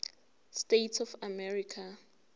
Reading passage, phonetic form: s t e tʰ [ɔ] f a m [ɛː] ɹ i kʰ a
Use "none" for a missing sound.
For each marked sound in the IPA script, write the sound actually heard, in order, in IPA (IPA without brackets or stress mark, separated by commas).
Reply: ɔ, ɛ